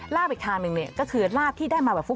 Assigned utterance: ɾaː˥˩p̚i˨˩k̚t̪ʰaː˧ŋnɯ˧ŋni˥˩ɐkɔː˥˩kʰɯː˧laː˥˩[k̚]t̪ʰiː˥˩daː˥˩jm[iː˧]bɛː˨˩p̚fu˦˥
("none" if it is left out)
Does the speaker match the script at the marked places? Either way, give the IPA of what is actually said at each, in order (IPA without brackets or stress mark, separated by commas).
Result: p̚, aː˧